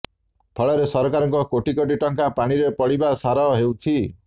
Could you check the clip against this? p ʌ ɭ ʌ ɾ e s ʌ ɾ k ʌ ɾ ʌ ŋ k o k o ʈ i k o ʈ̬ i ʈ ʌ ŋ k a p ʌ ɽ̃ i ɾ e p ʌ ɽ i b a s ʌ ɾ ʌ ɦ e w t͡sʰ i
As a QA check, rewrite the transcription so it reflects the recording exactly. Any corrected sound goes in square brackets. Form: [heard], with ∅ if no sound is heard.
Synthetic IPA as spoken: [pʰ] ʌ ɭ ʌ ɾ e s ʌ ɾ k [a] ɾ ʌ ŋ k o k o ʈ i k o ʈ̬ i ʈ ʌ ŋ k a p [a] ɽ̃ i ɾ e p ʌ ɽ i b a s [a] ɾ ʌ ɦ e w t͡sʰ i